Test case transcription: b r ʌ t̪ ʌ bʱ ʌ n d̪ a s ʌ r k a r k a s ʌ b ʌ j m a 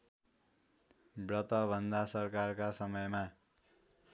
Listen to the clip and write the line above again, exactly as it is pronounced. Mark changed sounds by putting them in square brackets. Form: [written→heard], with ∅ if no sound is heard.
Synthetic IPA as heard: b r ʌ t̪ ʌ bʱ ʌ n d̪ a s ʌ r k a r k a s ʌ [b→m] ʌ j m a